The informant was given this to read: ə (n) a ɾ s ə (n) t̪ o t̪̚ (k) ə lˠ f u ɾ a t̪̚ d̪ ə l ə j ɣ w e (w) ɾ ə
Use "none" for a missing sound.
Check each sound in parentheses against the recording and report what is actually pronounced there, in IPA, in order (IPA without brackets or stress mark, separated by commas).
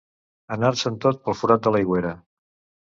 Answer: n, n, p, none